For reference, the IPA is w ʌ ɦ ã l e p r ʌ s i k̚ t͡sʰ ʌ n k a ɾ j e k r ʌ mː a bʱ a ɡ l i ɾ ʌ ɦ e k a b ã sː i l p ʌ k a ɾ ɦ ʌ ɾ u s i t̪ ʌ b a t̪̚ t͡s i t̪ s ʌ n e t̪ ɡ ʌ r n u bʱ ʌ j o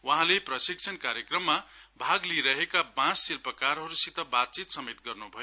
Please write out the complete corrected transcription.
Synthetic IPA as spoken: w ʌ ɦ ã l e p r ʌ s i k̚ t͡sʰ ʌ n k a ɾ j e k r ʌ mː a bʱ a ɡ l i ɾ ʌ ɦ e k a b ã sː i l p ʌ k a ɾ ɦ ʌ ɾ u s i t̪ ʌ b a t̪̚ t͡s i t̪ s ʌ m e t̪ ɡ ʌ r n u bʱ ʌ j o